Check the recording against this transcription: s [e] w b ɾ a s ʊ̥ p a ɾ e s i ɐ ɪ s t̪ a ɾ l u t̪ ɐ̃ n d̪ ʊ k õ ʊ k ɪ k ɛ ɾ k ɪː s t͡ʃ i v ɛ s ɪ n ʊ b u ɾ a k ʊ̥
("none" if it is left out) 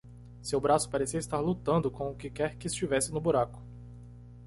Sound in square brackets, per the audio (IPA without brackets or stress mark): e